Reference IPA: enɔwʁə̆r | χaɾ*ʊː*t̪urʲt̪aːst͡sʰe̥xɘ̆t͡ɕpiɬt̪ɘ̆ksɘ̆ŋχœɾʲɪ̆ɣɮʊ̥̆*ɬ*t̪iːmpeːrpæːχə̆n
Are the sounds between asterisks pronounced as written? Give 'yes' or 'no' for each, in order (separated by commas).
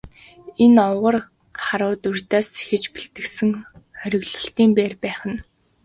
yes, yes